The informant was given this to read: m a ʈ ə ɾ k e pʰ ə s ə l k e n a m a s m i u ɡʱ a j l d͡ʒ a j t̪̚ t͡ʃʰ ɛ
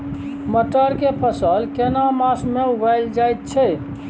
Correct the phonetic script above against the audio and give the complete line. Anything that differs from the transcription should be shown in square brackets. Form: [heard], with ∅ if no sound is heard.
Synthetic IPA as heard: m [ə] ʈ ə ɾ k e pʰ ə s ə l k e n a m a s m [e] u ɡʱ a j l d͡ʒ a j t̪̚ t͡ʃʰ ɛ